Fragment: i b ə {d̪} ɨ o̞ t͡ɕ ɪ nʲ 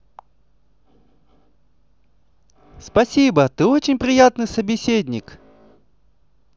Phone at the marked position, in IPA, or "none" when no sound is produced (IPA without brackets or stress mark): t̪